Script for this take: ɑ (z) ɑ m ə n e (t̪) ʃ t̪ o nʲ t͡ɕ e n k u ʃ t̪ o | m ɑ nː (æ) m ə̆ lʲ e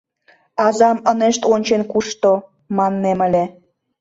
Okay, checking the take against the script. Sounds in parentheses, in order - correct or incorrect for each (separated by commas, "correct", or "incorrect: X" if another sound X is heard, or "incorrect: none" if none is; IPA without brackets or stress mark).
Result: correct, incorrect: none, incorrect: e